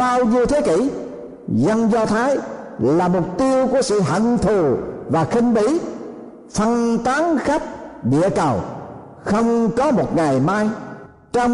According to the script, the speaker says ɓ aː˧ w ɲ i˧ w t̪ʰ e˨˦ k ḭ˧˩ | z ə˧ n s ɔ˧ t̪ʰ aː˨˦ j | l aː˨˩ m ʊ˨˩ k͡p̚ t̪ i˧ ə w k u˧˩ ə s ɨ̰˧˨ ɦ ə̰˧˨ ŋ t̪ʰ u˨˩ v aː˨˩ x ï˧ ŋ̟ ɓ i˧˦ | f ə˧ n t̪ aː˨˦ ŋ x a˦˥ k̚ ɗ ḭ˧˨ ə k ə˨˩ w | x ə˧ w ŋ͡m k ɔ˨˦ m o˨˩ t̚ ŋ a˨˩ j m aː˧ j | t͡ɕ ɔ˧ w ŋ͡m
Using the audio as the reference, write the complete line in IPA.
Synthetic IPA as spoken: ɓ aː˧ w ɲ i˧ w t̪ʰ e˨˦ k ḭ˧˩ | z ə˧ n z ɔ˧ t̪ʰ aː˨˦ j | l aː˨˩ m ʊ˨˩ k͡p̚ t̪ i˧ ə w k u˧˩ ə s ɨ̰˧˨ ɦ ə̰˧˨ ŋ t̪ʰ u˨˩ v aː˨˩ x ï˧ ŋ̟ ɓ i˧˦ | f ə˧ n t̪ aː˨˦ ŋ x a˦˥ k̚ ɗ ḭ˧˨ ə k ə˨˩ w | x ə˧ w ŋ͡m k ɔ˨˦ m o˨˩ t̚ ŋ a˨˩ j m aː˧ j | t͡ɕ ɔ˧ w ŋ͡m